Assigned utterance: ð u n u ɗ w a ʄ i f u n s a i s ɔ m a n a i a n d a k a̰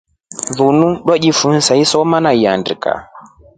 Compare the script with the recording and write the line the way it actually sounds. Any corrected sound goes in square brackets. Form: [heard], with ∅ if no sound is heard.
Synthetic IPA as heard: ð u n u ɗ w a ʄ i f u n s a i s ɔ m a n a i a n d [i] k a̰